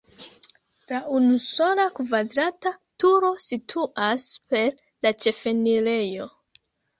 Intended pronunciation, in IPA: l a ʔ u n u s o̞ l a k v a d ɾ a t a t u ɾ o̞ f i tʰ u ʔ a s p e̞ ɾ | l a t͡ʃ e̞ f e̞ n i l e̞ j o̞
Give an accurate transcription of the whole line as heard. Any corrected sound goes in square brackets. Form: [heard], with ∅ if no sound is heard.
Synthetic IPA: l a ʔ u n u s o̞ l a k v a d ɾ a t a t u ɾ o̞ [s] i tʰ u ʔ a s p e̞ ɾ | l a t͡ʃ e̞ f e̞ n i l e̞ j o̞

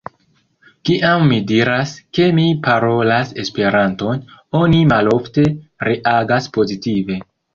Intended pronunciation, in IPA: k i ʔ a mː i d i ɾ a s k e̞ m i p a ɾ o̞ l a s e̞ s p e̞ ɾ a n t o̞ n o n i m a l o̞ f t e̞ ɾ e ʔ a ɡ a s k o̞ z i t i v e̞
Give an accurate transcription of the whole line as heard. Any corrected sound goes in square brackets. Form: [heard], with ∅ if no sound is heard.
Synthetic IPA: k i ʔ a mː i d i ɾ a s k e̞ m i p a ɾ o̞ l a s e̞ s p e̞ ɾ a n t o̞ n o n i m a l o̞ f t e̞ ɾ e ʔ a ɡ a s [p] o̞ z i t i v e̞

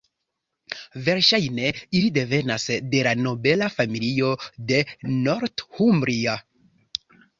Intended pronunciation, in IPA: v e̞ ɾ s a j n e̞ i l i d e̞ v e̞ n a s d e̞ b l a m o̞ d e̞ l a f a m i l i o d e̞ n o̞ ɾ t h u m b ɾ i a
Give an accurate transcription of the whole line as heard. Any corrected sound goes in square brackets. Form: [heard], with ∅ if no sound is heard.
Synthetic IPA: v e̞ ɾ [ʃ] a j n e̞ i l i d e̞ v e̞ n a s d e̞ [∅] l a [n] o̞ [b] e̞ l a f a m i l i o d e̞ n o̞ ɾ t h u m b ɾ i a

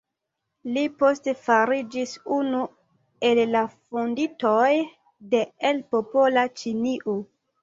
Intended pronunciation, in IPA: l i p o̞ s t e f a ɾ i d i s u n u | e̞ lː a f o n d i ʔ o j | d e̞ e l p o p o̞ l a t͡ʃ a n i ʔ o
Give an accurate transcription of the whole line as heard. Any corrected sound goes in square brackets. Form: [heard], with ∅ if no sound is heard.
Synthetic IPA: l i p o̞ s t e f a ɾ i [d͡ʒ] i s u n u | e̞ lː a f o n d i [t] o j | d e̞ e l p o p o̞ l a t͡ʃ [i] n i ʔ o

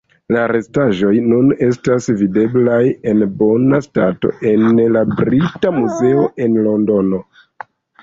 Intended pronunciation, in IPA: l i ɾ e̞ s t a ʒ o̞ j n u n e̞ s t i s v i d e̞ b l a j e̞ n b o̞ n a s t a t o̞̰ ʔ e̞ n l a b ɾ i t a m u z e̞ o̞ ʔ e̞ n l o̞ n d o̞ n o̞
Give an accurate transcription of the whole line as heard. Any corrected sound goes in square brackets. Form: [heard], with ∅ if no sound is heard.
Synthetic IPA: l [a] ɾ e̞ s t a ʒ o̞ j n u n e̞ s t [a] s v i d e̞ b l a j e̞ n b o̞ n a s t a t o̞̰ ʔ e̞ n l a b ɾ i t a m u z e̞ o̞ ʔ e̞ n l o̞ n d o̞ n o̞

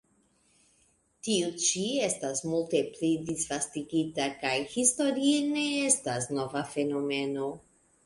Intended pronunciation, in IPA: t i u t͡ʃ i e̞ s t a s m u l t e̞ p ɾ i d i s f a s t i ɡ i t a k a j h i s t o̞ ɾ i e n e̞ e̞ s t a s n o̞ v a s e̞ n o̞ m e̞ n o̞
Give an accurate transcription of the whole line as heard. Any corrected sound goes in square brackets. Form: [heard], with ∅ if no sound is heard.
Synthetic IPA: t i u t͡ʃ i e̞ s t a s m u l t e̞ p [l] i d i s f a s t i ɡ i t a k a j h i s t o̞ ɾ i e n e̞ e̞ s t a s n o̞ v a [f] e̞ n o̞ m e̞ n o̞

